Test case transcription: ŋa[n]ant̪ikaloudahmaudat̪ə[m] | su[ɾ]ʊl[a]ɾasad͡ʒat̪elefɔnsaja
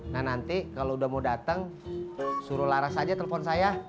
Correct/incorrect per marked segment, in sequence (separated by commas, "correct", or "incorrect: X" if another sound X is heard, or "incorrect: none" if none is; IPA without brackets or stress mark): correct, incorrect: ŋ, correct, correct